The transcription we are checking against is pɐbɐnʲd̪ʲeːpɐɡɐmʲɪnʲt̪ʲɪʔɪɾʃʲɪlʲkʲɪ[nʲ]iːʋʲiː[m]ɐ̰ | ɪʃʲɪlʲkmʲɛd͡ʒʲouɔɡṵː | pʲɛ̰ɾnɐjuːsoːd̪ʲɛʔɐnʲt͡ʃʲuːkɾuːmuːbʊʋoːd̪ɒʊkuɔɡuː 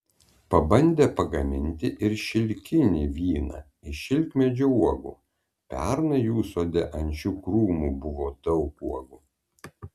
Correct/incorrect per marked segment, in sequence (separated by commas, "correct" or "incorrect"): correct, incorrect